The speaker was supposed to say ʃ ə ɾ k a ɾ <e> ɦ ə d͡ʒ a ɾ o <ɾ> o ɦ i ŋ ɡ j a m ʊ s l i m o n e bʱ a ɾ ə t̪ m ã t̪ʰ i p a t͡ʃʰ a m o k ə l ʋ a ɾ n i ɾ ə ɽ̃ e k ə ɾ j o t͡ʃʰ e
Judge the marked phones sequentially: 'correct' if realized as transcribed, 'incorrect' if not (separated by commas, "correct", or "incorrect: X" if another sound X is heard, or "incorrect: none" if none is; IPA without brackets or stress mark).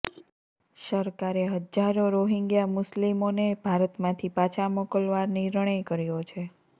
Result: correct, correct